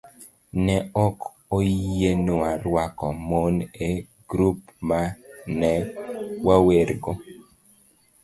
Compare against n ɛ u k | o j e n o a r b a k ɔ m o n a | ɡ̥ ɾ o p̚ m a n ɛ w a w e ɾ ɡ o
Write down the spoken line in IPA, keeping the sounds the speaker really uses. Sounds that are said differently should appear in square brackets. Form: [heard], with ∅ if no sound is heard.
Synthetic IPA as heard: n ɛ [ɔ] k | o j e n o a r [w] a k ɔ m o n [e] | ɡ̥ ɾ [u] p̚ m a n ɛ w a w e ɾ ɡ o